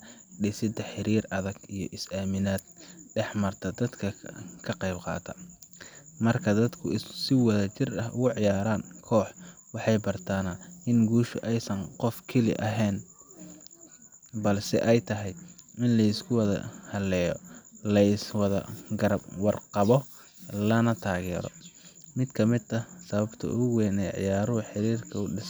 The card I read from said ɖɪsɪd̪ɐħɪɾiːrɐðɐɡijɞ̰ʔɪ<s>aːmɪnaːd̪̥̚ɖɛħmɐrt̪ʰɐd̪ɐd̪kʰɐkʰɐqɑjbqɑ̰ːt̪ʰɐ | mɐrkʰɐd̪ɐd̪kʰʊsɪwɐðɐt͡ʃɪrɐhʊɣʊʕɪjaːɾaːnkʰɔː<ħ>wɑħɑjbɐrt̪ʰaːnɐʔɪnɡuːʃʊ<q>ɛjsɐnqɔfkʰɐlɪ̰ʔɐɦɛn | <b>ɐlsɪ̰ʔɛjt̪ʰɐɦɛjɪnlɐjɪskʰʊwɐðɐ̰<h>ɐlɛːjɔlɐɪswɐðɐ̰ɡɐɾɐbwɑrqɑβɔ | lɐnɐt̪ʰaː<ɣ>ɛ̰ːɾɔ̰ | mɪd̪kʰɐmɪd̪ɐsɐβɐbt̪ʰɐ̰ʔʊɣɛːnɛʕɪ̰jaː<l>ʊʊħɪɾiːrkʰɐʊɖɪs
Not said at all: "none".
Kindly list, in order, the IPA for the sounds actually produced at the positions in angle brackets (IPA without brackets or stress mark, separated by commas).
s, ħ, ʔ, b, h, ɣ, ɾ